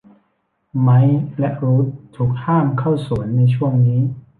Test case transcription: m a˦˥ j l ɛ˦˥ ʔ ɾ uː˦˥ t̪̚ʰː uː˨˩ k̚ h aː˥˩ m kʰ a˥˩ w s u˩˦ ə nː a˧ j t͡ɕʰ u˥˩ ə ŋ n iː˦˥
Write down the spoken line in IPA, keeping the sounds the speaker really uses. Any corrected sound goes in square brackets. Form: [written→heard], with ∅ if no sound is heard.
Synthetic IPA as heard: m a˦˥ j l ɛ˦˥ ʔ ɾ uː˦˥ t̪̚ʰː uː˨˩ k̚ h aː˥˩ m kʰ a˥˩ w s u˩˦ ə nː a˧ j t͡ɕʰ u˥˩ ə ŋ n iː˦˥